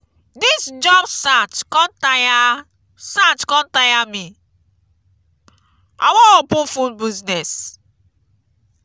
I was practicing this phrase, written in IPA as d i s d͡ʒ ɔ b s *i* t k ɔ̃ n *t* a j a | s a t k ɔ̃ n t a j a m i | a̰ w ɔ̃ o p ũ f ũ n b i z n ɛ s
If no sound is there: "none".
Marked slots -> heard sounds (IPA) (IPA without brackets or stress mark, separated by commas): a, t